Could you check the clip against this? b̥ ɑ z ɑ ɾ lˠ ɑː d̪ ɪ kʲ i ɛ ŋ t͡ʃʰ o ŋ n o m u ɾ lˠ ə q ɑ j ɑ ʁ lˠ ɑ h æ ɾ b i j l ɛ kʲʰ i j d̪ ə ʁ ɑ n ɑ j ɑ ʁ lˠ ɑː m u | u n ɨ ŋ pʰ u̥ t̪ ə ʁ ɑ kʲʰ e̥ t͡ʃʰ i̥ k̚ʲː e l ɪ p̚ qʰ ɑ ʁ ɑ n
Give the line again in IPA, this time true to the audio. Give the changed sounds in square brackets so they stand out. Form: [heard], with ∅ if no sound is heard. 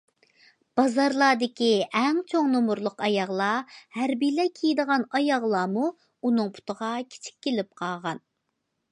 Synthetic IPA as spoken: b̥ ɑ z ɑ ɾ lˠ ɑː d̪ ɪ kʲ i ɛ ŋ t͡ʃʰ o ŋ n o m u ɾ lˠ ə q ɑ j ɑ ʁ lˠ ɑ h æ ɾ b i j l ɛ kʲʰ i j d̪ ə ʁ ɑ n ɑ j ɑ ʁ lˠ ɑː m u | u n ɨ ŋ pʰ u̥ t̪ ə ʁ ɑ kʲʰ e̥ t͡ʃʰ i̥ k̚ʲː e l ɪ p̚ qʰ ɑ ʁ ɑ n